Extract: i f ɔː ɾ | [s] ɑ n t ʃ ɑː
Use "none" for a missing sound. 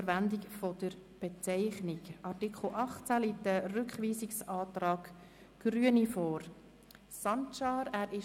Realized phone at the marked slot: s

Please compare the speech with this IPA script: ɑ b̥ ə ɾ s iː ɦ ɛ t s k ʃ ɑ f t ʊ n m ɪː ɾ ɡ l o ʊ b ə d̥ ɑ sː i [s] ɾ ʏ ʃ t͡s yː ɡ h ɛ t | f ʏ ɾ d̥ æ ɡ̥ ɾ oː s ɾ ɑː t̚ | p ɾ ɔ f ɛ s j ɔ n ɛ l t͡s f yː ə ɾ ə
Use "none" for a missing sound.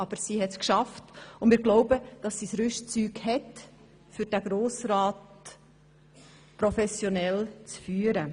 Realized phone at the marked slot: s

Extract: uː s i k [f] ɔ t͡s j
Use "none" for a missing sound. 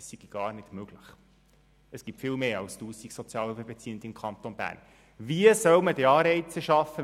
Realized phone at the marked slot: s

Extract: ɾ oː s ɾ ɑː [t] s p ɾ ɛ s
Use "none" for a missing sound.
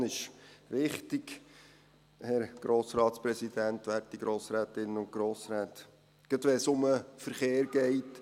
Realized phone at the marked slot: t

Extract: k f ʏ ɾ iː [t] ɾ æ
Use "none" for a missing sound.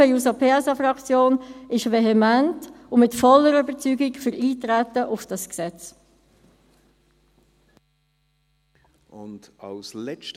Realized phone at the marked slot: t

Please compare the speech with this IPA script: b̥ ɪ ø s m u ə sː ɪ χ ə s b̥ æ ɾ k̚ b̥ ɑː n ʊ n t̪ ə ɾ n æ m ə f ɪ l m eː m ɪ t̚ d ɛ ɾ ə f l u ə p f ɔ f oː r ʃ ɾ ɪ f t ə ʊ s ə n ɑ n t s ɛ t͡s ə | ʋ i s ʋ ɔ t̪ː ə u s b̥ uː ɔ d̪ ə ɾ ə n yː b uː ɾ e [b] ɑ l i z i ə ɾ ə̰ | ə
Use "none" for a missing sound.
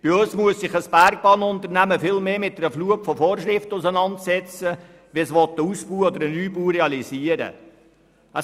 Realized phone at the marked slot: none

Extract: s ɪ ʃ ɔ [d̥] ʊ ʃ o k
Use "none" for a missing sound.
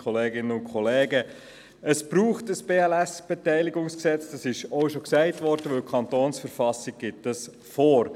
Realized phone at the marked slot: none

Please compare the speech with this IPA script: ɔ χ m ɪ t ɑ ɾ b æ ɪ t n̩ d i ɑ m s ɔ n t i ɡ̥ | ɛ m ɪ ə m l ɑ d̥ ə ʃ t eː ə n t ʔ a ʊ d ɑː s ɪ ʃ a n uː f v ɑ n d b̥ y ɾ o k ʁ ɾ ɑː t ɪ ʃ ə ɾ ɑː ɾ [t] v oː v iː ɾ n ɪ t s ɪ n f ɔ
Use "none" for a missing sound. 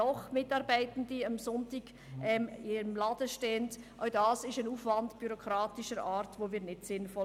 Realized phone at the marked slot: t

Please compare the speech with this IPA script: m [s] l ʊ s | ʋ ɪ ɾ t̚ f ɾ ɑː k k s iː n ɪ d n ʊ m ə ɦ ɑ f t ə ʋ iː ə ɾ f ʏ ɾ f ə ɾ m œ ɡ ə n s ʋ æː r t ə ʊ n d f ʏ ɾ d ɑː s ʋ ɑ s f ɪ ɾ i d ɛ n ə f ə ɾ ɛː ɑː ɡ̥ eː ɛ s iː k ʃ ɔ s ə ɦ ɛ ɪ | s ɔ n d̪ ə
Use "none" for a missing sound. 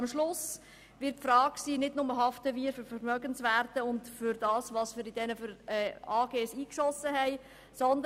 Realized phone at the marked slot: ʃ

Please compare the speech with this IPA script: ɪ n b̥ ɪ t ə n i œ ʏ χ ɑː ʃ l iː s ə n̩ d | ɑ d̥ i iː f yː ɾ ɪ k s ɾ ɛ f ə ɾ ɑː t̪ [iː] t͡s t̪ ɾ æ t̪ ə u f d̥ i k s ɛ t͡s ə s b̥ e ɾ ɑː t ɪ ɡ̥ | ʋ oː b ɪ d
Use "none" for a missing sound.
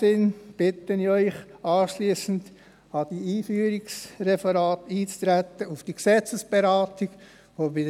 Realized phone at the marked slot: iː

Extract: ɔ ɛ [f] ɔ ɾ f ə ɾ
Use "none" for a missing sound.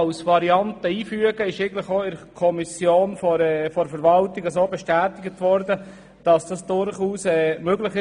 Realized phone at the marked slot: f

